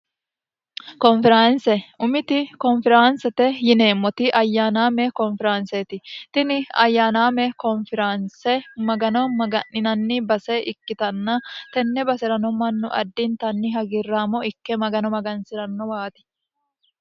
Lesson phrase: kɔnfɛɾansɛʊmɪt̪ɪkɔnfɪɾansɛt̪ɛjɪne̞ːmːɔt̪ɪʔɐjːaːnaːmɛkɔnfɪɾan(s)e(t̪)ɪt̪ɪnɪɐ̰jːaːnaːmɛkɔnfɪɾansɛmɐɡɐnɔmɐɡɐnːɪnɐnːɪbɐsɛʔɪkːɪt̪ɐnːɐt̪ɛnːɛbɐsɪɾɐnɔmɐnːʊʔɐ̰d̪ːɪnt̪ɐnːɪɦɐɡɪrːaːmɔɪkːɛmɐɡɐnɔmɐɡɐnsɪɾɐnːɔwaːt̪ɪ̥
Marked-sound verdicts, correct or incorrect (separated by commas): correct, correct